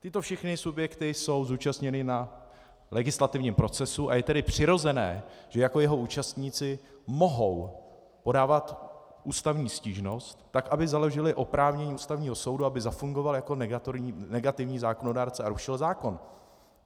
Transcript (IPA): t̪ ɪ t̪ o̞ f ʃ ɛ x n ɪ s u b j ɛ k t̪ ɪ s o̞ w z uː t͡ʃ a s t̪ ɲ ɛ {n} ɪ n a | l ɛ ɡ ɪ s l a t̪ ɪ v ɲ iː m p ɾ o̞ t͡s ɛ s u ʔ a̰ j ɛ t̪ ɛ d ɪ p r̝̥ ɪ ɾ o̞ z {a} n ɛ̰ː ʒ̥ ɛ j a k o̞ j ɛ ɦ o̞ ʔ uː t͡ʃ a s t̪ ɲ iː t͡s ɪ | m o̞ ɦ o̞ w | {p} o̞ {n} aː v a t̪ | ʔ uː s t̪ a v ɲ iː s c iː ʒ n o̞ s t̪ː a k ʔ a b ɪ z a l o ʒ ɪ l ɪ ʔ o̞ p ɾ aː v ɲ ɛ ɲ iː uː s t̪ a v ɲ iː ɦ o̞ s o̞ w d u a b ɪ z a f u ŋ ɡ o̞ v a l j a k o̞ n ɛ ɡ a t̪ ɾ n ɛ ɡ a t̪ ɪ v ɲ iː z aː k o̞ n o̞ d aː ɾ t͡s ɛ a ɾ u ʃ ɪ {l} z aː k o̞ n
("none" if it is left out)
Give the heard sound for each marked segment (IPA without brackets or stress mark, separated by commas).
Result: n, ɛ, p, d, l